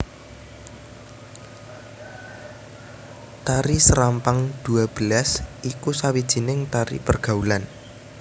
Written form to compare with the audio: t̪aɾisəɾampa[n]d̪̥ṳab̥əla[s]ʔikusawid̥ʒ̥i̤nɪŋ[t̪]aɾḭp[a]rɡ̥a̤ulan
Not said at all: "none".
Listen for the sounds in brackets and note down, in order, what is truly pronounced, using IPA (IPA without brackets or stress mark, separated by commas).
ŋ, s, t̪, ə